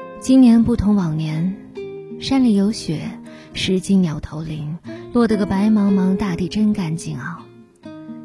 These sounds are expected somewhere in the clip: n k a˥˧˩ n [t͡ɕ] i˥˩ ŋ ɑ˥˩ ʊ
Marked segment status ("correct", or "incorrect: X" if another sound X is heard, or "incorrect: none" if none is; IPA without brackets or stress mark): correct